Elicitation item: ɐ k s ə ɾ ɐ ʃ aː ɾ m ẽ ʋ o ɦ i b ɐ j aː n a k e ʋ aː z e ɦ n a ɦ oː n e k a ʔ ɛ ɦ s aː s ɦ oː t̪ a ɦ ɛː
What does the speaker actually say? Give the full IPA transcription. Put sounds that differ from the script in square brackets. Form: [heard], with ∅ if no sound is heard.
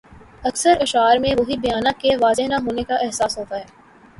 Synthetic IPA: ɐ k s ə ɾ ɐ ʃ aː ɾ m ẽ ʋ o ɦ i b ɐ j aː n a k e ʋ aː z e ɦ n a ɦ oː n e k a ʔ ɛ ɦ s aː s ɦ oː t̪ a ɦ ɛː